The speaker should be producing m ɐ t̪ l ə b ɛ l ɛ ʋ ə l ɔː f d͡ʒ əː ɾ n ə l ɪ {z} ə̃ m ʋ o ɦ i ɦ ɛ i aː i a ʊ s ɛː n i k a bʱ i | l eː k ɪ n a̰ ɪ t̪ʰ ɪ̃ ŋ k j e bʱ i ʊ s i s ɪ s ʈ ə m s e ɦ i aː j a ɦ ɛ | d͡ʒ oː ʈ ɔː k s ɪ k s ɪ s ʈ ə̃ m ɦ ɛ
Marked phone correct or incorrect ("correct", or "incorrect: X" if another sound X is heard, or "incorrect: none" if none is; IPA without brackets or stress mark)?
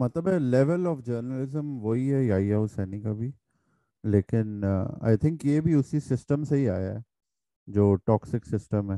correct